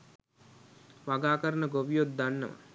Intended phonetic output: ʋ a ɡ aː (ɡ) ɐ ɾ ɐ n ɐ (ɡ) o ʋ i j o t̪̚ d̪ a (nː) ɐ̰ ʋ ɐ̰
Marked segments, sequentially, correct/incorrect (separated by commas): incorrect, correct, correct